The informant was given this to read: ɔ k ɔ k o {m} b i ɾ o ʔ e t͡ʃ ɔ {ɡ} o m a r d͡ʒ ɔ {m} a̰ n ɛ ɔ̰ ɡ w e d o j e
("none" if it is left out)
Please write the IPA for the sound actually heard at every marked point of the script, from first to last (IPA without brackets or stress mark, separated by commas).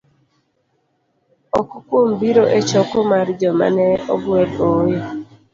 m, k, m